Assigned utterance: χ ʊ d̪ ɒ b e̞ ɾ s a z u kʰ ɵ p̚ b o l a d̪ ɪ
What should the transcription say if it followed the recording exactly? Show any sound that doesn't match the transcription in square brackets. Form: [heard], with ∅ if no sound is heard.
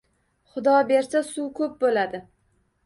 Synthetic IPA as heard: χ ʊ d̪ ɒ b e̞ ɾ s a [s] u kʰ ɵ p̚ b o l a d̪ ɪ